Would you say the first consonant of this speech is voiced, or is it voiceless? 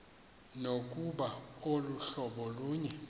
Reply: voiced